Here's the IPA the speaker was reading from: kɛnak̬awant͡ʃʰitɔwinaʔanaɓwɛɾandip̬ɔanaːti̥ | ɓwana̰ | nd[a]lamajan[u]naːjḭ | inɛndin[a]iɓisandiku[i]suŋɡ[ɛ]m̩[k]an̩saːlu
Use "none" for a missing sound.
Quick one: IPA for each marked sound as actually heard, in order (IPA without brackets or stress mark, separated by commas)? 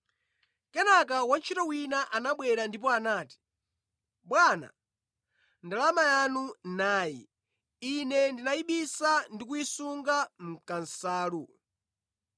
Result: a, u, a, i, a, k